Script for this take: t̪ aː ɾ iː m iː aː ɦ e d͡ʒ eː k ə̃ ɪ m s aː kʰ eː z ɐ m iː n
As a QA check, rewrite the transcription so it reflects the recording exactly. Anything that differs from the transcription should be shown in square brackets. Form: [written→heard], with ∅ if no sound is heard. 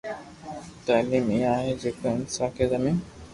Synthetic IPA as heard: t̪ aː [ɾ→l] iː m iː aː ɦ e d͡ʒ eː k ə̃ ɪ [m→n] s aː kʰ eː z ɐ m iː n